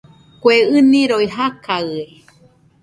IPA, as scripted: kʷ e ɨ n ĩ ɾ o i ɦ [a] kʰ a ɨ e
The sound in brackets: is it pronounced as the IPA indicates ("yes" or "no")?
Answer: yes